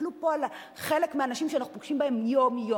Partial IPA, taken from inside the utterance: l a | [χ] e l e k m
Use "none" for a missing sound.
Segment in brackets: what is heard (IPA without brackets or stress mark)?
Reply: χ